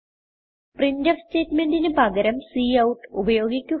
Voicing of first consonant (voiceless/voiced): voiceless